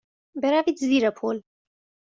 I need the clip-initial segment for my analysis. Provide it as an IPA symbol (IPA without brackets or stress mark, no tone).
b